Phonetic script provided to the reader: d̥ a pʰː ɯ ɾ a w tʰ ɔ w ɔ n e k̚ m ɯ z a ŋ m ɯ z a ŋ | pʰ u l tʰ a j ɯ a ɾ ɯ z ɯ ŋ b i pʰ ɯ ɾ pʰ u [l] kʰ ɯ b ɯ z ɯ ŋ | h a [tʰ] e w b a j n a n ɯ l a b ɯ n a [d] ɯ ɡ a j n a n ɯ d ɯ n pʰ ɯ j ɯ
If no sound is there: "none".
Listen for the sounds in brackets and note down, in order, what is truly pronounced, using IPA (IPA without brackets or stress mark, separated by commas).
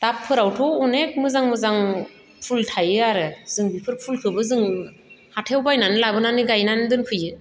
l, tʰ, n